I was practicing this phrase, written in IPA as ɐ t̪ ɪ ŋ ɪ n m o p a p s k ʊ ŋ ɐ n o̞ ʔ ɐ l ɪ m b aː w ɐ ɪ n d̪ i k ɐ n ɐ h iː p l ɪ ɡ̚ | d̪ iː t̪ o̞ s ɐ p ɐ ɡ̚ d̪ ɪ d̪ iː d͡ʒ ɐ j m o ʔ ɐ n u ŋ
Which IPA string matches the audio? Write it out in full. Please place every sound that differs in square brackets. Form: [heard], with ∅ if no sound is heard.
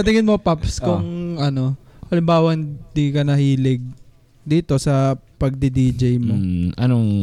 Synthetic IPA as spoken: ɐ t̪ ɪ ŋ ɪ n m o p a p s k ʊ ŋ ɐ n o̞ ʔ ɐ l ɪ m b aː w ɐ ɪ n d̪ i k ɐ n ɐ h iː [∅] l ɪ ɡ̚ | d̪ iː t̪ o̞ s ɐ p ɐ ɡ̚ d̪ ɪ d̪ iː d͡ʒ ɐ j m o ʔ ɐ n [o] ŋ